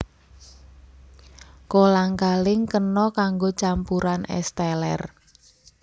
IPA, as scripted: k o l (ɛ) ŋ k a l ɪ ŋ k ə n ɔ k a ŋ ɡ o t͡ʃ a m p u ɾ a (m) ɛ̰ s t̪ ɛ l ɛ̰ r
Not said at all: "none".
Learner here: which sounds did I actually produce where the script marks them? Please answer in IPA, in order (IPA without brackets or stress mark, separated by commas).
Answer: a, n